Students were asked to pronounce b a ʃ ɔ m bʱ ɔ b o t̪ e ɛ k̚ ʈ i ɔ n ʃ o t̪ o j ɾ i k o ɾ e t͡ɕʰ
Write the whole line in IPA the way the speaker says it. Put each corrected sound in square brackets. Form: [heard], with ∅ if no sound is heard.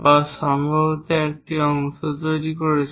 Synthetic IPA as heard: b a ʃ ɔ m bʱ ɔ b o t̪ e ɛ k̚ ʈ i ɔ [ŋ] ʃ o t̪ o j ɾ i k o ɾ e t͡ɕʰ